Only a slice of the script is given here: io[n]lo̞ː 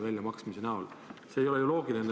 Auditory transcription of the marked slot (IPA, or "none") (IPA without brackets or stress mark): none